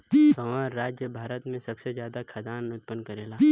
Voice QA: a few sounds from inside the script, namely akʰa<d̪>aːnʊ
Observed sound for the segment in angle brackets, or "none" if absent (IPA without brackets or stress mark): d̪